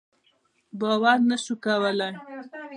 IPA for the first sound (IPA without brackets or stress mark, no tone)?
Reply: b